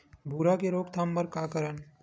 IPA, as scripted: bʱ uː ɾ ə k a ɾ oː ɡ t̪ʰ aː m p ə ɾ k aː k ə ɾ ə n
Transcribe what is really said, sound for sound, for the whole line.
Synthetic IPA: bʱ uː ɾ a k e ɾ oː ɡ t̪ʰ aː m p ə ɾ k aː k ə ɾ ə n